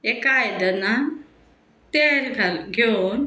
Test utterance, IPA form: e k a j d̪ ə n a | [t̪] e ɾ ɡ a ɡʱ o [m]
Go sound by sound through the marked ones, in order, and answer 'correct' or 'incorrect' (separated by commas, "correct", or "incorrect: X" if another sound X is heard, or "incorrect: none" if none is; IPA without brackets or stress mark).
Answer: correct, incorrect: n